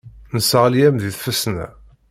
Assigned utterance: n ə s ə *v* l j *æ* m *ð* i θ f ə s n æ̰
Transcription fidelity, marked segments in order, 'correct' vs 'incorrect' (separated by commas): incorrect, correct, correct